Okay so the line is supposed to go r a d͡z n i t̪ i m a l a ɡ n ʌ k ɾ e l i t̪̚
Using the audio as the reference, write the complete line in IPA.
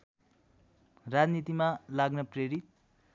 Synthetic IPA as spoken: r a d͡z n i t̪ i m a l a ɡ n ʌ p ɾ e ɾ i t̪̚